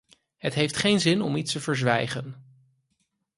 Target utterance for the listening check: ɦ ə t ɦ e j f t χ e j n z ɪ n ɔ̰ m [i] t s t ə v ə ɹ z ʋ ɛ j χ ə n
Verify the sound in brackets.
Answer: correct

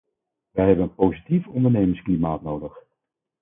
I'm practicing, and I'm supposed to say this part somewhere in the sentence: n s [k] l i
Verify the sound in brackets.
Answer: correct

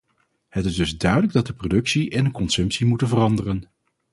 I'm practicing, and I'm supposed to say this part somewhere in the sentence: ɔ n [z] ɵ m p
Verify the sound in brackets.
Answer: incorrect: s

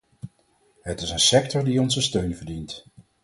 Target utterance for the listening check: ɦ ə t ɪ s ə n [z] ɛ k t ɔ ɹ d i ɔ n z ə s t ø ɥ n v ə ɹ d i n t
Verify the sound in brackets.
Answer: incorrect: s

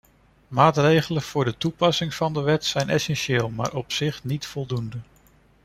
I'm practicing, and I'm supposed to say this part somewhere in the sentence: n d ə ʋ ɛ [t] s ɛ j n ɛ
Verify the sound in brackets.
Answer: correct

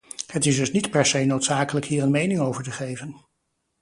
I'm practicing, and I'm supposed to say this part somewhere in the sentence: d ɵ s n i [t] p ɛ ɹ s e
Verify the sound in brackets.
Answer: correct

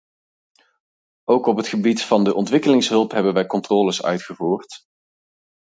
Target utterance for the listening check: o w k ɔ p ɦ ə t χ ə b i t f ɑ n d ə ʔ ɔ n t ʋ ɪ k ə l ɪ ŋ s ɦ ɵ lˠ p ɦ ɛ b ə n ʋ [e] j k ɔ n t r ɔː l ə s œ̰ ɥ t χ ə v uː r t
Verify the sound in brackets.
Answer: incorrect: ɛ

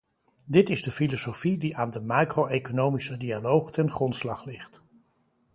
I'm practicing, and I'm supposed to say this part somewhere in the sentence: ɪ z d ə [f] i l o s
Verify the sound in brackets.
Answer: correct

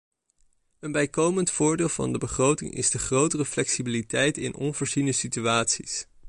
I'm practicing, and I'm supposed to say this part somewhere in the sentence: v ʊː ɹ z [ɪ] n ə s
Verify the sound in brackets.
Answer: incorrect: i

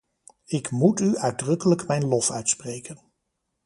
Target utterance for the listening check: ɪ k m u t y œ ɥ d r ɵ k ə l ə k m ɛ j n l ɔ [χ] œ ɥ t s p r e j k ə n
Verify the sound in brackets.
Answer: incorrect: f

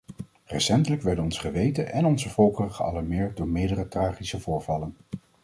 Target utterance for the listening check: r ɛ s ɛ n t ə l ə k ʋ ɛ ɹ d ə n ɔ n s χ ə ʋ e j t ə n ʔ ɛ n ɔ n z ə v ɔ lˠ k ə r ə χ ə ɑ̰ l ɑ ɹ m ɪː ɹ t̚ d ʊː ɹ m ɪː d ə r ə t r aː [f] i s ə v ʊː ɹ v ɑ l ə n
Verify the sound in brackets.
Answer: incorrect: χ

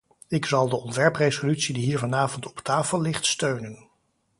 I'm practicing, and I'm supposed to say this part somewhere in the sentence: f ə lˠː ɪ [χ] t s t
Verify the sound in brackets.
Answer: correct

